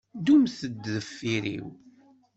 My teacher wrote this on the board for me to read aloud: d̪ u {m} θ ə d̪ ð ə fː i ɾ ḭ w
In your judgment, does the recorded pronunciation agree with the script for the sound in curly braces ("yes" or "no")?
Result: yes